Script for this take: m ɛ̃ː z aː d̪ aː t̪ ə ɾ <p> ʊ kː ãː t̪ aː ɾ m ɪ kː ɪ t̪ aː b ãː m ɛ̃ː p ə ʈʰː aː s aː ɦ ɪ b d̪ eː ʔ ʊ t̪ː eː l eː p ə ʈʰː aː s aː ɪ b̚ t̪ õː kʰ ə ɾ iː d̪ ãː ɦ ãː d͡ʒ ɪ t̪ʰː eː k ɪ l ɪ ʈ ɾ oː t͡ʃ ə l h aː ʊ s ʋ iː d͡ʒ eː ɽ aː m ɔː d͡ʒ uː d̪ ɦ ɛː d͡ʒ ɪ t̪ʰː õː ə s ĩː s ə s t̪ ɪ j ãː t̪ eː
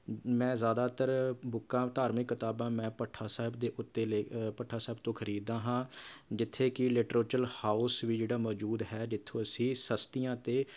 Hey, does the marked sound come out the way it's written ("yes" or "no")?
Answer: no